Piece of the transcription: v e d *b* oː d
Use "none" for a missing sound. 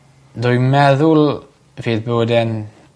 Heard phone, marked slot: b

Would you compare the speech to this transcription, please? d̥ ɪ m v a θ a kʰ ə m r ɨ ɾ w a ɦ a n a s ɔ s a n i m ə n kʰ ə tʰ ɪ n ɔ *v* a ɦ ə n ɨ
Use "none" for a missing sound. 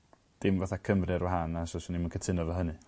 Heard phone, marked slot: v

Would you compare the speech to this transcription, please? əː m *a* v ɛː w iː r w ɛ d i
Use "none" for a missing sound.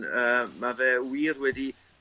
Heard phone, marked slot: a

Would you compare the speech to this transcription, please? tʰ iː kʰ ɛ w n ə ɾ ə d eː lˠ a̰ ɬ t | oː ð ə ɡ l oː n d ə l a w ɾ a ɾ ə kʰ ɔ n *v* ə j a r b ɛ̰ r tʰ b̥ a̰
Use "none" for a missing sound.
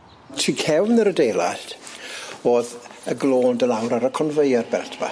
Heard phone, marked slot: v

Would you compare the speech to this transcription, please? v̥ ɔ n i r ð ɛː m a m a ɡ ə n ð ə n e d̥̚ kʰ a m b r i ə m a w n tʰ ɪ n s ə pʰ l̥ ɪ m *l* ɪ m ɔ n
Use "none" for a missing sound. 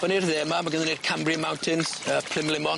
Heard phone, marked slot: l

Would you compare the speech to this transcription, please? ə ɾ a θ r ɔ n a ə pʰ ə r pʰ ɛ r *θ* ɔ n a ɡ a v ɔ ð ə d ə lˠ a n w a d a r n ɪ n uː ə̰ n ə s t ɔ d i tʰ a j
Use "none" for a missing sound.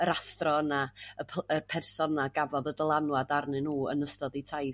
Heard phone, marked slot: s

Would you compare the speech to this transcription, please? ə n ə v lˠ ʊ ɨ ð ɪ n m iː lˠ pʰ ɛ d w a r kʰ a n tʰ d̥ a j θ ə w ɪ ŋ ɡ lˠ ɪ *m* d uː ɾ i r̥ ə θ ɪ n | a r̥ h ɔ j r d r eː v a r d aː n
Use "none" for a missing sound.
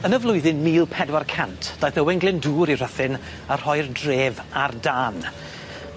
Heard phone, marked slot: n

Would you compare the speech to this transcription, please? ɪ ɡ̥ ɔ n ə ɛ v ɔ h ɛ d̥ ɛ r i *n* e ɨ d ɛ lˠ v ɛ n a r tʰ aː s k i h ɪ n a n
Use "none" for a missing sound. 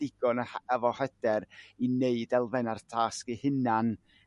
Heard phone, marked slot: n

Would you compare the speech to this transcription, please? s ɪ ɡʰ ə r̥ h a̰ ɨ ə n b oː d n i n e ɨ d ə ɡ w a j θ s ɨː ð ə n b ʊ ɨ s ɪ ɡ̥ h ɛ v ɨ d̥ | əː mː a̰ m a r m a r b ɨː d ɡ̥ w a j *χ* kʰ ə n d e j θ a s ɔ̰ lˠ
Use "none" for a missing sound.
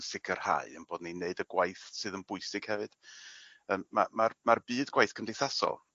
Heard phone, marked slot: θ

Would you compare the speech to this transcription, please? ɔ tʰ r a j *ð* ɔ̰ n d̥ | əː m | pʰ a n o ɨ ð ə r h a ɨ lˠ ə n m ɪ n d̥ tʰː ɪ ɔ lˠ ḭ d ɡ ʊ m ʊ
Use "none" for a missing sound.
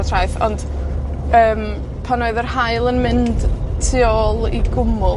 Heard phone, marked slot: θ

